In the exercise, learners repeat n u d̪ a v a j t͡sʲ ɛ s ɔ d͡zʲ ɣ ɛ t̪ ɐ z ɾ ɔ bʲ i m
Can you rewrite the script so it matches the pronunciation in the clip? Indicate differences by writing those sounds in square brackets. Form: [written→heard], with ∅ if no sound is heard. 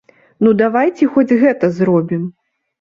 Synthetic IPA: n u d̪ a v a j t͡sʲ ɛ [s→x] ɔ d͡zʲ ɣ ɛ t̪ ɐ z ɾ ɔ bʲ i m